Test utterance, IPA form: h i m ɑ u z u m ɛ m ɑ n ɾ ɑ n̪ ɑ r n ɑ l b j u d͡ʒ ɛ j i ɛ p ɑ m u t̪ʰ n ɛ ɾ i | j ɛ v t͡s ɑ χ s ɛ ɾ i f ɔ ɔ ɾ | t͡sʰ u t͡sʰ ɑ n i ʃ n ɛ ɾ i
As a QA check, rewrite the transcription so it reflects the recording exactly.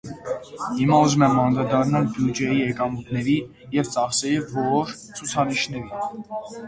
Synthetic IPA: h i m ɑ u z u m ɛ m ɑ n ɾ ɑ d̪ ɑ r n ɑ l b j u d͡ʒ ɛ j i ɛ k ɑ m u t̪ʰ n ɛ ɾ i | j ɛ v t͡s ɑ χ s ɛ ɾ i v ɔ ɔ ɾ | t͡sʰ u t͡sʰ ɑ n i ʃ n ɛ ɾ i